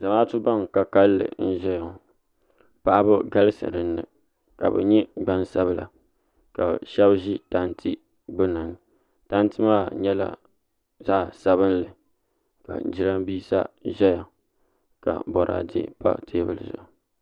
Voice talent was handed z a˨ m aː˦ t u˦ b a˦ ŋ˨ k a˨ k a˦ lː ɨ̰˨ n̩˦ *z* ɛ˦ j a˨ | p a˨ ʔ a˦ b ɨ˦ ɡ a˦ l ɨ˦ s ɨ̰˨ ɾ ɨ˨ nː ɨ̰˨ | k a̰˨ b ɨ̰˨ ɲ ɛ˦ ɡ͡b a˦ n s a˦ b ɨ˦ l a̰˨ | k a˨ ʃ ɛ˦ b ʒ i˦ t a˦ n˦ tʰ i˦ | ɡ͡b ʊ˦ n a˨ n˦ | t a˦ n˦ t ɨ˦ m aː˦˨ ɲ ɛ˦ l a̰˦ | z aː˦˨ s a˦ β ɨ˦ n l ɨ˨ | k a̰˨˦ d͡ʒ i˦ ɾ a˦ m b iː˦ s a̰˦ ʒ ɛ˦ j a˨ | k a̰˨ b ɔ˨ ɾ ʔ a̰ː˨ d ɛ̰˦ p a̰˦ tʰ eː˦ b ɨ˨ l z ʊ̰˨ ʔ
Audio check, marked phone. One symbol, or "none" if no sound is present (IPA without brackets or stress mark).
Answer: ʒ